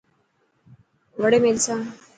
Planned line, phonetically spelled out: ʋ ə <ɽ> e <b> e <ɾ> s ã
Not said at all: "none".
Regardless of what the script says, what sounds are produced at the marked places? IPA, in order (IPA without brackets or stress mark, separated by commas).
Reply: ɽ, m, l